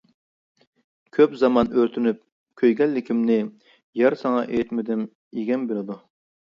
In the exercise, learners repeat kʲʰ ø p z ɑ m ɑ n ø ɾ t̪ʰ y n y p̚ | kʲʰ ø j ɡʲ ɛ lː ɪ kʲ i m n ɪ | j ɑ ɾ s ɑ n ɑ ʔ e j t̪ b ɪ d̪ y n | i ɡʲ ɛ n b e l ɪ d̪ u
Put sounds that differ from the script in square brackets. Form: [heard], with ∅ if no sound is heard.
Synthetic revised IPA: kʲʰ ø p z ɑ m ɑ n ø ɾ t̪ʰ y n y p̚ | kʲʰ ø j ɡʲ ɛ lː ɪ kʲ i m n ɪ | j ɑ ɾ s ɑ [ŋ] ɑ ʔ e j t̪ [m] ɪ d̪ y [m] | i ɡʲ ɛ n b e l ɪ d̪ u